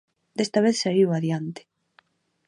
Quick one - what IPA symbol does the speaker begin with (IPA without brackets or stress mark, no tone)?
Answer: d̪